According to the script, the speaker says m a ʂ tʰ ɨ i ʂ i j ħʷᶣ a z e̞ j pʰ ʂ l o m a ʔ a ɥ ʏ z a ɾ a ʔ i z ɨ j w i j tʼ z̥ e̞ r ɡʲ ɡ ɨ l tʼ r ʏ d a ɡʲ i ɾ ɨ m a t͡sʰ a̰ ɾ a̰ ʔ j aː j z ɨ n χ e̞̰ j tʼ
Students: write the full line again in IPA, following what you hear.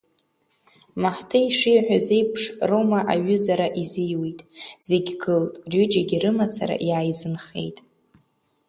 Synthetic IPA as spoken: m a ħ tʰ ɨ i ʂ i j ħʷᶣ a z e̞ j pʰ ʂ r o m a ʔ a ɥ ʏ z a ɾ a ʔ i z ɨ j w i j tʼ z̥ e̞ ɡʲ ɡ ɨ l tʼ r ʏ d͡ʒ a ɡʲ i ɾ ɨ m a t͡sʰ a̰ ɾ a̰ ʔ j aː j z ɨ n χ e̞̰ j tʼ